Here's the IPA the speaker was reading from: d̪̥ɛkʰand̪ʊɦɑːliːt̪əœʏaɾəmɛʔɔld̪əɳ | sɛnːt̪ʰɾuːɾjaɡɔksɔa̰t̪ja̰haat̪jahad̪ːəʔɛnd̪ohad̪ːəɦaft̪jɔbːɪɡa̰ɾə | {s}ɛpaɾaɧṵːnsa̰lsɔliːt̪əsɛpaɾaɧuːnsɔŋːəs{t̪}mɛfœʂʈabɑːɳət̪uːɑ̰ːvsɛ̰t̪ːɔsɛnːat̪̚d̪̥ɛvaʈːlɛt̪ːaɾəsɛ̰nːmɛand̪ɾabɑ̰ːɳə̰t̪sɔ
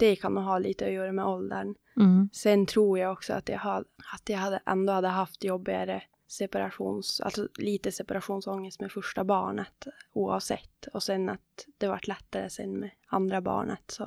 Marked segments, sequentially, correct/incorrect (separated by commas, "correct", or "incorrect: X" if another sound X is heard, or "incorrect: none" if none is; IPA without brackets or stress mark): correct, correct